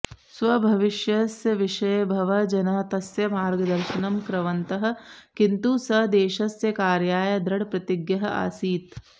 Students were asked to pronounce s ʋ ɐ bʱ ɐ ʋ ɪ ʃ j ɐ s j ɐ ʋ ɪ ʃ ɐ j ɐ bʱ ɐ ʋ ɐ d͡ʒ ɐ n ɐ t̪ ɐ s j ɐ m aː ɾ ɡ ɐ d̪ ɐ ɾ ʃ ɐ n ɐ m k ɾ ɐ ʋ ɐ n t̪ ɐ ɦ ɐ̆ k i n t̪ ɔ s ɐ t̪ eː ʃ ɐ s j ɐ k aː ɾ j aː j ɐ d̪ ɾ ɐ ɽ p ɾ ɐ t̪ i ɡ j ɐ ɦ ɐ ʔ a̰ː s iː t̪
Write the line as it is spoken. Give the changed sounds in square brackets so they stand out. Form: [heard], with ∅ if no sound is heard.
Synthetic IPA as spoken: s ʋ ɐ bʱ ɐ ʋ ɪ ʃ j ɐ s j ɐ ʋ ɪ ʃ ɐ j ɐ bʱ ɐ ʋ ɐ d͡ʒ ɐ n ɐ t̪ ɐ s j ɐ m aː ɾ ɡ ɐ d̪ ɐ ɾ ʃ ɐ n ɐ m k ɾ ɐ ʋ ɐ n t̪ ɐ ɦ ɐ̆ k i n t̪ [u] s ɐ [d̪] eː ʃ ɐ s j ɐ k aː ɾ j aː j ɐ d̪ ɾ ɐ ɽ p ɾ ɐ t̪ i ɡ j ɐ ɦ ɐ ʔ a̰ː s iː t̪